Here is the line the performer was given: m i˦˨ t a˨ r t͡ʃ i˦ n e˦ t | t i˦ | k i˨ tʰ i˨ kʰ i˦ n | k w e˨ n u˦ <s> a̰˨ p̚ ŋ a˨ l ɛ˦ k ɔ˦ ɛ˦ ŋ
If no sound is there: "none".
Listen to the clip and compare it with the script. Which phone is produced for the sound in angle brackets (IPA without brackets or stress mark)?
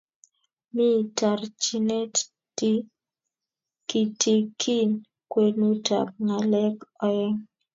t